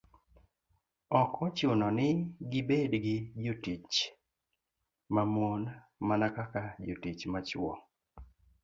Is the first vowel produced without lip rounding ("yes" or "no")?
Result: no